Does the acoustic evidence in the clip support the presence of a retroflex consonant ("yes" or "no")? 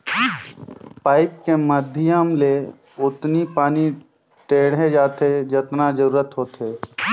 yes